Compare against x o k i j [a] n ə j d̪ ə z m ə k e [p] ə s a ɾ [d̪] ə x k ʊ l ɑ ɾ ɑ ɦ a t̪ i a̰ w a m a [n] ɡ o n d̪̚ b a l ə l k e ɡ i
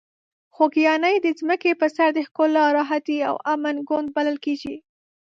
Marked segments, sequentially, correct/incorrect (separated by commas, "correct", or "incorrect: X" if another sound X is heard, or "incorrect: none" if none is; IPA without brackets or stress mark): incorrect: ɑ, correct, correct, correct